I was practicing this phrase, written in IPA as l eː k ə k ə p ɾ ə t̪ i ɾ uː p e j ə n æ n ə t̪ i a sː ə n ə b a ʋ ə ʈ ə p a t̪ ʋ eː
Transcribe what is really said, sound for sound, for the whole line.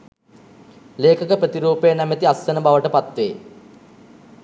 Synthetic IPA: l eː k ə k ə p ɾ ə t̪ i ɾ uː p e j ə n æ m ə t̪ i a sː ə n ə b a ʋ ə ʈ ə p a t̪ ʋ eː